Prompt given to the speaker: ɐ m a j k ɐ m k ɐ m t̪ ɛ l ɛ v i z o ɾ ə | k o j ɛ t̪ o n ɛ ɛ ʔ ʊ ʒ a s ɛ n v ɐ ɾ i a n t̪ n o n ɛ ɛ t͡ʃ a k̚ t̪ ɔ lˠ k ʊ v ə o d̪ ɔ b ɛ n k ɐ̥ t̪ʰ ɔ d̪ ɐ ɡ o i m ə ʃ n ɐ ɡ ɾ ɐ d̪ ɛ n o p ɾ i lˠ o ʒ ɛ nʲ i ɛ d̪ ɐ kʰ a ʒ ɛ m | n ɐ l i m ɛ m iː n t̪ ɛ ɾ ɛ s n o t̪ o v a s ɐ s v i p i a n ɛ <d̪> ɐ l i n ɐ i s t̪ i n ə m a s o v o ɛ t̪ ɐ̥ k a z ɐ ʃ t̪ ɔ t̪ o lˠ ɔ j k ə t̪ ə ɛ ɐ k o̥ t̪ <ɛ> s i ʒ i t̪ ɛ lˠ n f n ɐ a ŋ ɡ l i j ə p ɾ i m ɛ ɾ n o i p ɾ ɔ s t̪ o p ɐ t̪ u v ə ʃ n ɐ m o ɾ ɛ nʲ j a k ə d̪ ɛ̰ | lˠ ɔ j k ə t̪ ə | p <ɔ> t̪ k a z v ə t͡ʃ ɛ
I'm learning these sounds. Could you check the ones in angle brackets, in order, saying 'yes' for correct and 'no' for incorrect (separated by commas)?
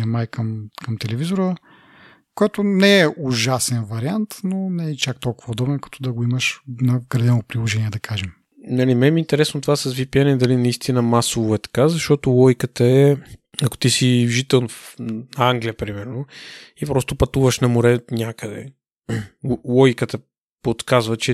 yes, no, no